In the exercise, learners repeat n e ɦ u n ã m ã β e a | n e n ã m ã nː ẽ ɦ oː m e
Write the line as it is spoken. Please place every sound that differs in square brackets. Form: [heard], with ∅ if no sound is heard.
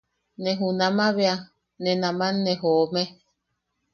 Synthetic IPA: n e ɦ u n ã m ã β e a | n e n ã m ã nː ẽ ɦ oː m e